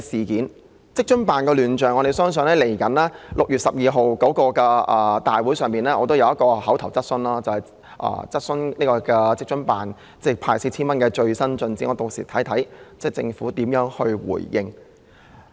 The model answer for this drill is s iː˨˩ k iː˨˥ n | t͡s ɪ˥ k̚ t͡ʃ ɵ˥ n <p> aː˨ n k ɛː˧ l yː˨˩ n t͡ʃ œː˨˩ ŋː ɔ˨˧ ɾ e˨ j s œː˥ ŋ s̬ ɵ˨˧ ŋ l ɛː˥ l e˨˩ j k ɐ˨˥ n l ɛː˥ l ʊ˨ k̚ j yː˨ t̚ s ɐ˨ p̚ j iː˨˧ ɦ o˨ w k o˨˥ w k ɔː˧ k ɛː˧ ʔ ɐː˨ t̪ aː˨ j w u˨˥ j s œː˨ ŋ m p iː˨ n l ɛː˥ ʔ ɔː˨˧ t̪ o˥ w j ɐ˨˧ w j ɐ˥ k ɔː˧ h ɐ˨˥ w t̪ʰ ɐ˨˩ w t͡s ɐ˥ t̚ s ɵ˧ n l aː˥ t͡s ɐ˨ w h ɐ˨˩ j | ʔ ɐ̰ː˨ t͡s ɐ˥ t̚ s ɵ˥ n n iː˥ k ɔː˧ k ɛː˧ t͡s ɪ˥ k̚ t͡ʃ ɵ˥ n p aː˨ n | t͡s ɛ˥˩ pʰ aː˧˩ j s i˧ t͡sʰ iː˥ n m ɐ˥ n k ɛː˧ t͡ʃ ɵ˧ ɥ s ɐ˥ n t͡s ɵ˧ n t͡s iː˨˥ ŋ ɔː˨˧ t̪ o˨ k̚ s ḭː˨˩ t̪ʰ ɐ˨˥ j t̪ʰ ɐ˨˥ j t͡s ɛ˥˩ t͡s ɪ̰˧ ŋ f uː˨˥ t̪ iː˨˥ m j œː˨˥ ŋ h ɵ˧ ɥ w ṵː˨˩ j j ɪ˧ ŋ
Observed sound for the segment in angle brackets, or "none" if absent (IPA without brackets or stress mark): p